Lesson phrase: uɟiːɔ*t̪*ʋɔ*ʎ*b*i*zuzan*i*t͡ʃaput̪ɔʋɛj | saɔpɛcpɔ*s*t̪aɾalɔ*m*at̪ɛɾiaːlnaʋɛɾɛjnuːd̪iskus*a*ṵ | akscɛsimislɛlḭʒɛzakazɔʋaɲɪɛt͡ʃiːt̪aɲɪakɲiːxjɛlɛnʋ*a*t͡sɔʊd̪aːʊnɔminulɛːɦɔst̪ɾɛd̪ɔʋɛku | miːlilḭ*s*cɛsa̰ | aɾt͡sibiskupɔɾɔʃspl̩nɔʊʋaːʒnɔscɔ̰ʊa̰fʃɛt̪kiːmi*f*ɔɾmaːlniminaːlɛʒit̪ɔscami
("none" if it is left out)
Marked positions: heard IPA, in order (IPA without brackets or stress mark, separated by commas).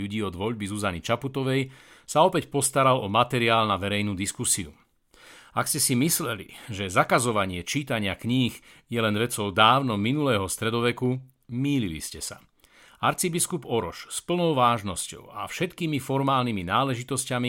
d̪, ʎ, i, i, s, m, i, ɛ, s, f